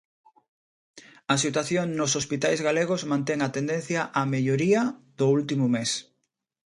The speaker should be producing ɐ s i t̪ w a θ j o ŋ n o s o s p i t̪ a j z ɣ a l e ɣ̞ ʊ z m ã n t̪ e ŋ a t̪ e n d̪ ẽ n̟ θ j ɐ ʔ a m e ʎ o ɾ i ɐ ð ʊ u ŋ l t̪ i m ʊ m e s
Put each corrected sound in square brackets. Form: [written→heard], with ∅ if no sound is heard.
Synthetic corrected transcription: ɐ s i t̪ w a θ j o ŋ n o s o s p i t̪ a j z ɣ a l e ɣ̞ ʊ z m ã n t̪ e ŋ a t̪ e n d̪ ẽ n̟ θ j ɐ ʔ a m e ʎ o ɾ i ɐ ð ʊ u [ŋ→∅] l t̪ i m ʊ m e s